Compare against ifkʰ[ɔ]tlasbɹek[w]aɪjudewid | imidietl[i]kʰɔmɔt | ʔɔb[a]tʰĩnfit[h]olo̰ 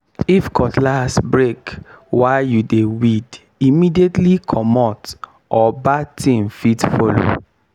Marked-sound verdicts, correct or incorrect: correct, correct, correct, correct, incorrect

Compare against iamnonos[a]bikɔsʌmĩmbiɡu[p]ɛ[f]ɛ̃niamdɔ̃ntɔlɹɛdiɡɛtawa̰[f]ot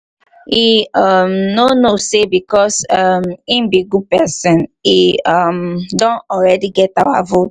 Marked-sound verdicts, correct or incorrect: incorrect, correct, incorrect, incorrect

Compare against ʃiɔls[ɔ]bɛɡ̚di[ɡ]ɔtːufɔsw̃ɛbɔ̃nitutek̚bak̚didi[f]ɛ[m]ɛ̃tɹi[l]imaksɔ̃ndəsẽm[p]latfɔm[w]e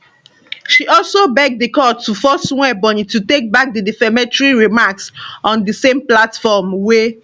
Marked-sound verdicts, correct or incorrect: incorrect, incorrect, correct, correct, incorrect, correct, correct

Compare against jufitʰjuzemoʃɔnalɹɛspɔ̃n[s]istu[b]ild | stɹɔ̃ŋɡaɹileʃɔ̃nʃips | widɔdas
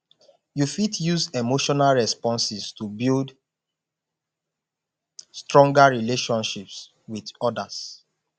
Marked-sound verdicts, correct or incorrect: correct, correct

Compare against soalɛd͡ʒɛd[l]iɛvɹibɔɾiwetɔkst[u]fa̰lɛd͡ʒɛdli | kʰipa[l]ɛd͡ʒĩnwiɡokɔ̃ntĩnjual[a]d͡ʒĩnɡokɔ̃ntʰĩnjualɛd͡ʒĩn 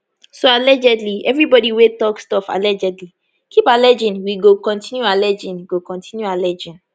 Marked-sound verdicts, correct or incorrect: correct, incorrect, correct, incorrect

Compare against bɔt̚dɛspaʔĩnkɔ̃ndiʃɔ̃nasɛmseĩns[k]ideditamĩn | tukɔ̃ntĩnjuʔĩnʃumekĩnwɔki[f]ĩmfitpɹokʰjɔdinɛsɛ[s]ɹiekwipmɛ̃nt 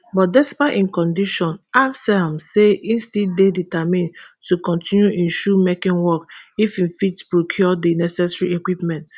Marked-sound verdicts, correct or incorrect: incorrect, correct, correct

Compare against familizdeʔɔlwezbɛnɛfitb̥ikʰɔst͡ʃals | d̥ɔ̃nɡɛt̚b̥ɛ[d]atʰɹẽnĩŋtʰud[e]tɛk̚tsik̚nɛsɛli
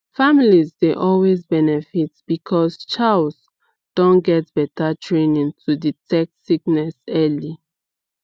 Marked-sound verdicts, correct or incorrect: incorrect, incorrect

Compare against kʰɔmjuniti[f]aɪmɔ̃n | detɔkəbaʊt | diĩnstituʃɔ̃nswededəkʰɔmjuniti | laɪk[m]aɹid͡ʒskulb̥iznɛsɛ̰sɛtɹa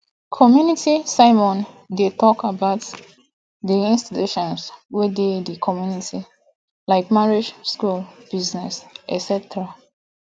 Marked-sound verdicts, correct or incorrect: incorrect, correct

